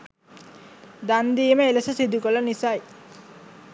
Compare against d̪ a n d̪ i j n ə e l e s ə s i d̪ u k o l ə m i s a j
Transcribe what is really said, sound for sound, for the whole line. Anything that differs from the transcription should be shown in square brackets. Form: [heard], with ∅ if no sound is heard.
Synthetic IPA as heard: d̪ a n d̪ i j [m] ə e l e s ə s i d̪ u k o l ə [n] i s a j